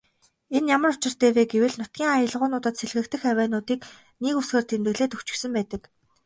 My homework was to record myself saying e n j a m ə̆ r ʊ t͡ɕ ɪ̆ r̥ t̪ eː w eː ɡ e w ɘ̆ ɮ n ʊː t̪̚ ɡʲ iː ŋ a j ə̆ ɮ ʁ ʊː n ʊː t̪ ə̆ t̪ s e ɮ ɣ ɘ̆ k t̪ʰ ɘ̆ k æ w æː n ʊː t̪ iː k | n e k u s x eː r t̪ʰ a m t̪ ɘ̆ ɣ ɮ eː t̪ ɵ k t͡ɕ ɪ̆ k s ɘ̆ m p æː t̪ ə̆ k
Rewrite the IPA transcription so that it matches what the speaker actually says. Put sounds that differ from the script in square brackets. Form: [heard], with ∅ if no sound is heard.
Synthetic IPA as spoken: e n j a m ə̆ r ʊ t͡ɕ ɪ̆ r̥ t̪ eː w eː ɡ e w ɘ̆ ɮ n [ʊ] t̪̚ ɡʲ iː ŋ a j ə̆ ɮ ʁ ʊː n ʊː t̪ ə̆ t̪ s e ɮ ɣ ɘ̆ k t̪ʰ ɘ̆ [x] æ w æː n ʊː t̪ iː k | n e k u s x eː r t̪ʰ [e] m t̪ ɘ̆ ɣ ɮ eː t̪ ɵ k t͡ɕ ɪ̆ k s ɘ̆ m p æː t̪ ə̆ k